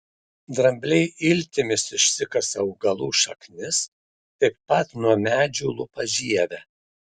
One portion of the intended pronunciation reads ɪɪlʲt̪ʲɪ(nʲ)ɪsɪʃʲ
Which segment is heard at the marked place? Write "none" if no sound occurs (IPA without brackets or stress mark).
mʲ